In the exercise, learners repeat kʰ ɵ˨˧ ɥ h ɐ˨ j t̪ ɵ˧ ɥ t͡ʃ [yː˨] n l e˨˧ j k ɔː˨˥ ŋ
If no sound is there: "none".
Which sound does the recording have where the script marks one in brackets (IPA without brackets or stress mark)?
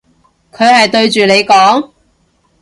yː˨